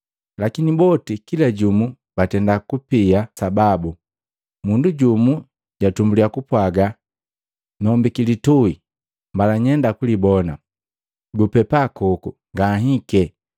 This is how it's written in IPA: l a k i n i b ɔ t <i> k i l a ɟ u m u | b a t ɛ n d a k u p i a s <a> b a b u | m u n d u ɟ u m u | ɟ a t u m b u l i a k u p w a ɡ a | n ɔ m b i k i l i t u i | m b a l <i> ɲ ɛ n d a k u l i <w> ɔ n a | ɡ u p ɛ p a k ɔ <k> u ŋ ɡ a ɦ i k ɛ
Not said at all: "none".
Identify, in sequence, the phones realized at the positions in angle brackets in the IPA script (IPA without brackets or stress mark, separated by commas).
i, a, a, b, k